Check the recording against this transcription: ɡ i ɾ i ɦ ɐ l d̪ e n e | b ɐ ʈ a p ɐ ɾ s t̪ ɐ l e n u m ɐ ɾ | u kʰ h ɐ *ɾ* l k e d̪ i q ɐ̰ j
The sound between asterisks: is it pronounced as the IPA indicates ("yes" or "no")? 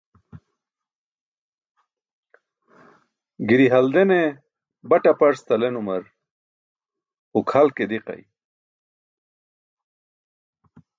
no